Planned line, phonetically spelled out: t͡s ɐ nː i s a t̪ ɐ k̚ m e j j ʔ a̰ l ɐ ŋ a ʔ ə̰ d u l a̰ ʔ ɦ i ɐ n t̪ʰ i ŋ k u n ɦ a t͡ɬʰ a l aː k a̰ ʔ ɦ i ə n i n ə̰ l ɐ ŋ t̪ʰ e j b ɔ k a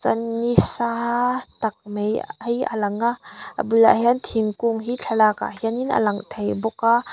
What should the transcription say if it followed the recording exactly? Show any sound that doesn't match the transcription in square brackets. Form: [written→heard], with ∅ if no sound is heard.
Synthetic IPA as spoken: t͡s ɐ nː i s a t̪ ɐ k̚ m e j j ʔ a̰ l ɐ ŋ a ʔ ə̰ [d→b] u l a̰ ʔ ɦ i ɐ n t̪ʰ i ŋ k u [n→ŋ] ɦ [a→i] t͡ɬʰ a l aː k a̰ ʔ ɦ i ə n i n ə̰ l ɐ ŋ t̪ʰ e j b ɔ k a